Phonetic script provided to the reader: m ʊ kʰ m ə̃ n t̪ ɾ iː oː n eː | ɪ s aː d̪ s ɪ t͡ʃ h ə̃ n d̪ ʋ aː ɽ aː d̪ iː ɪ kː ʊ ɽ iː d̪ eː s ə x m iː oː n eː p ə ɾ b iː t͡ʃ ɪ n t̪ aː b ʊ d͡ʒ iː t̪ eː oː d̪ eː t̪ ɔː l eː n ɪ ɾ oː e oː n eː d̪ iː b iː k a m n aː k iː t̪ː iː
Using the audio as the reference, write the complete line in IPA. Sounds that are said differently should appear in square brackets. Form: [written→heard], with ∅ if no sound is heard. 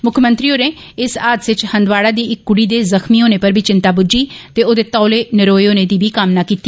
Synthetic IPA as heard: m ʊ kʰ m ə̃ n t̪ ɾ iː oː n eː | ɪ s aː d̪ s ɪ t͡ʃ h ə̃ n d̪ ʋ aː ɽ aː d̪ iː ɪ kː ʊ ɽ iː d̪ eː [s→z] ə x m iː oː n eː p ə ɾ b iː t͡ʃ ɪ n t̪ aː b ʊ d͡ʒ iː t̪ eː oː d̪ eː t̪ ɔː l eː n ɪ ɾ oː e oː n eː d̪ iː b iː k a m n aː k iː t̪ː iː